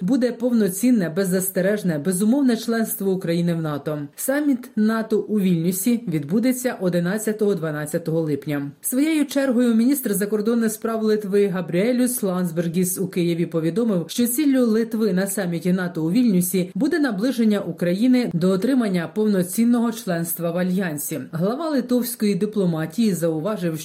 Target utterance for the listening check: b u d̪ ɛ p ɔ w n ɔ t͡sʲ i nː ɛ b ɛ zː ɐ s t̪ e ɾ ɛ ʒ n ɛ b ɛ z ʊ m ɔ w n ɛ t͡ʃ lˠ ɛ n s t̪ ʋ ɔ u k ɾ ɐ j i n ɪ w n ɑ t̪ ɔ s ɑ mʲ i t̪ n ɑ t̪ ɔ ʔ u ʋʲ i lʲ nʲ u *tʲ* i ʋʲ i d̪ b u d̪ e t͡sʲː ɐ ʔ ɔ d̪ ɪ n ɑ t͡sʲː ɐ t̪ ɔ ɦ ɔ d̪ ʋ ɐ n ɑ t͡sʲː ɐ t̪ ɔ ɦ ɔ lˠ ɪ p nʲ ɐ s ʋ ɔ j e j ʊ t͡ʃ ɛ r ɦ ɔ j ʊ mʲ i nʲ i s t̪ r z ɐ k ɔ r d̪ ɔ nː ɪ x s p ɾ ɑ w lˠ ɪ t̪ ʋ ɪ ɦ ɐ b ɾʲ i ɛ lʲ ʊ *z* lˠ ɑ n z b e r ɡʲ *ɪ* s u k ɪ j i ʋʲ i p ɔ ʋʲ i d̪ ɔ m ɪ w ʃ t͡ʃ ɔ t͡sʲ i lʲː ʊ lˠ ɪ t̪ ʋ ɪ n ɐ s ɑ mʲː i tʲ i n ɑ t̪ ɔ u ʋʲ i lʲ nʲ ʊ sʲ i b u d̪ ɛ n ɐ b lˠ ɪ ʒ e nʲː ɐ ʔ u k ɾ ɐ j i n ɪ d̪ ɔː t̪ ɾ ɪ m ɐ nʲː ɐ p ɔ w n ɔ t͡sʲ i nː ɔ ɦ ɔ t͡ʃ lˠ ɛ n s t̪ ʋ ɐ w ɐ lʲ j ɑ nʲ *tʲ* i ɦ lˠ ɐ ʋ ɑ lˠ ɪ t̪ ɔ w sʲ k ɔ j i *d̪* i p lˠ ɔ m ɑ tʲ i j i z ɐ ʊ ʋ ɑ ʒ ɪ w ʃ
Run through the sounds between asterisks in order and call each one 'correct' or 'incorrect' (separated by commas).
incorrect, incorrect, incorrect, incorrect, correct